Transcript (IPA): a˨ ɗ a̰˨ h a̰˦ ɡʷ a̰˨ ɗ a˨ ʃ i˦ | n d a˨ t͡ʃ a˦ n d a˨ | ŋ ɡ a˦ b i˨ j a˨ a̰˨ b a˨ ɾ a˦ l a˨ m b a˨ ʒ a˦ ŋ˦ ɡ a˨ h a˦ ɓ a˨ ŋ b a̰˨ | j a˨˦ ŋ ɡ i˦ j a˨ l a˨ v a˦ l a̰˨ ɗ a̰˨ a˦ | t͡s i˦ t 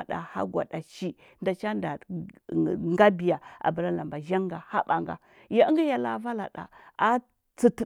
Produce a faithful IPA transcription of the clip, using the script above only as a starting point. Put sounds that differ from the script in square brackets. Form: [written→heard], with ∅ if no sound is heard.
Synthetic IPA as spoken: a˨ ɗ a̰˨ h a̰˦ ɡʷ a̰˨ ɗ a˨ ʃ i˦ | n d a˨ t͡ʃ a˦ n d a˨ | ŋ ɡ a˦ b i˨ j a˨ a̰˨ b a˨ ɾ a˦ l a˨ m b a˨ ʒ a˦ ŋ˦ ɡ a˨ h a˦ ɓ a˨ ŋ [b→ɡ] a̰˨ | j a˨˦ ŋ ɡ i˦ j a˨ l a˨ v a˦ l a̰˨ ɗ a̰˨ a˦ | t͡s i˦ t